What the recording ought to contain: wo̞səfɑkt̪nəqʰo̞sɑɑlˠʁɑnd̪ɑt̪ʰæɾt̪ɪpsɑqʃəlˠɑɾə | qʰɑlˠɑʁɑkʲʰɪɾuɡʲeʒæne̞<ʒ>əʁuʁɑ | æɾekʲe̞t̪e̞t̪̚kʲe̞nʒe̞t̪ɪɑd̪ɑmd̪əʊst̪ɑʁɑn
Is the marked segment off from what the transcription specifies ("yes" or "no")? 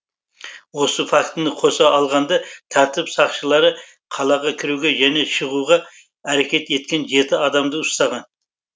yes